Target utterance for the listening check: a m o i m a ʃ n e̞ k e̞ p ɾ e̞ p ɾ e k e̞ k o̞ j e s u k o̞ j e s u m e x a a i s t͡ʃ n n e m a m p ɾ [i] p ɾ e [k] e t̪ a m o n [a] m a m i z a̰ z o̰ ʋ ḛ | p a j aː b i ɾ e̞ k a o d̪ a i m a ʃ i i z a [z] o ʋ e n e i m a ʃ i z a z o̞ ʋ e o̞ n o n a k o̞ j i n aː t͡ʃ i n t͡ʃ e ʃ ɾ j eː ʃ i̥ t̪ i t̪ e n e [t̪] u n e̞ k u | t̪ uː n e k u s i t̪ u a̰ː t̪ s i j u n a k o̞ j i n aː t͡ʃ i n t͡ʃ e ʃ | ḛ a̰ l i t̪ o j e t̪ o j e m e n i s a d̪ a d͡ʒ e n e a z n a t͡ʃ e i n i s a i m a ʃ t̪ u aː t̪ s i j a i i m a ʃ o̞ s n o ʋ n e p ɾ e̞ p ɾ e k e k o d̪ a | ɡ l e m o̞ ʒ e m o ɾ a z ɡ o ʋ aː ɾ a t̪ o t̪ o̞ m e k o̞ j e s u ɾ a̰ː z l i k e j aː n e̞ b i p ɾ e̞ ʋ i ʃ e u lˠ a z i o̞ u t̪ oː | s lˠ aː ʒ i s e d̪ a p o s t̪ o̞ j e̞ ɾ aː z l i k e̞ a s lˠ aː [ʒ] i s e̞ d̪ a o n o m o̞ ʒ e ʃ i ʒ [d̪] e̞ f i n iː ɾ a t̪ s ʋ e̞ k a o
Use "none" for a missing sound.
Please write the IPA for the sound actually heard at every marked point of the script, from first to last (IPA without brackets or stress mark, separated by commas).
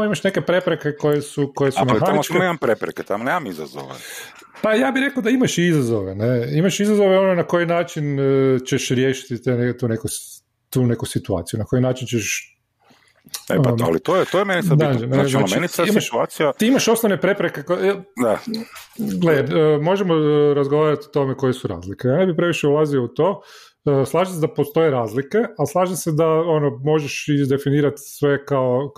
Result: e, k, e, z, t̪, ʒ, d̪